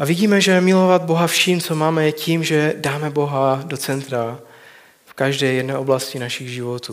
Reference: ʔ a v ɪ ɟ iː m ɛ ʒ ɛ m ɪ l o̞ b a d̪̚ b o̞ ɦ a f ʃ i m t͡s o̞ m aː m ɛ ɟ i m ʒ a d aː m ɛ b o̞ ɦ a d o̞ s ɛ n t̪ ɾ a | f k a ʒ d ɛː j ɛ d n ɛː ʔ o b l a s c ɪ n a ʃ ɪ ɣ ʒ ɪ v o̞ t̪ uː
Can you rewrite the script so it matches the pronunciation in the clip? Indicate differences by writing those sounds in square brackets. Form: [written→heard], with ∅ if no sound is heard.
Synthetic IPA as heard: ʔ a v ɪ ɟ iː m ɛ ʒ ɛ m ɪ l o̞ [b→v] a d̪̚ b o̞ ɦ a f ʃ i m t͡s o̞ m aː m ɛ [ɟ→c] i m ʒ [a→ɛ] d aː m ɛ b o̞ ɦ a d o̞ [s→t͡s] ɛ n t̪ ɾ a | f k a ʒ d ɛː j ɛ d n ɛː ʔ o b l a s c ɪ n a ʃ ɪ ɣ ʒ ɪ v o̞ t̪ uː